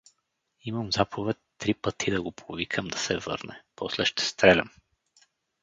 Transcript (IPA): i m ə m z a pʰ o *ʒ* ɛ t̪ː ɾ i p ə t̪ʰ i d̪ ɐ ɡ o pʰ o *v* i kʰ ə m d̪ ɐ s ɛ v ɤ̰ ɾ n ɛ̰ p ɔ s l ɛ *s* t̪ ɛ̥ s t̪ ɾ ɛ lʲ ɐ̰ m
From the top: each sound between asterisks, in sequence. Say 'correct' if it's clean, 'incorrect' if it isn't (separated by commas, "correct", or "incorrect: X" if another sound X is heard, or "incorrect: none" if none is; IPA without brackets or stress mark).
incorrect: v, correct, incorrect: ʃ